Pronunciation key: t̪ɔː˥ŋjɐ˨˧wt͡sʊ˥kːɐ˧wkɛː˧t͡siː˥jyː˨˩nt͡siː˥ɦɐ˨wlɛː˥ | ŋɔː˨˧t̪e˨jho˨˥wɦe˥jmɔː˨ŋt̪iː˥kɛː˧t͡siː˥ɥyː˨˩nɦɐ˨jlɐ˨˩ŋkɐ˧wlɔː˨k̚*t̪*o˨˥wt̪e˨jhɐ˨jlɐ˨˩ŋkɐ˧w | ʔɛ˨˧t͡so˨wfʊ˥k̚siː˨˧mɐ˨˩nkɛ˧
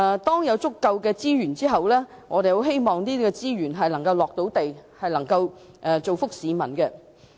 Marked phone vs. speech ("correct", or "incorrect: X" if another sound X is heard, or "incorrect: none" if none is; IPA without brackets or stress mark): correct